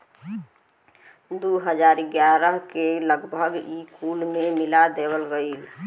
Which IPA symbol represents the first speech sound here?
d̪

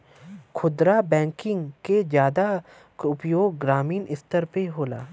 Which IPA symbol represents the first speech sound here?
kʰ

